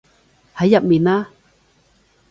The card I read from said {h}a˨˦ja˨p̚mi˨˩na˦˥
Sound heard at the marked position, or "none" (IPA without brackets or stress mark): h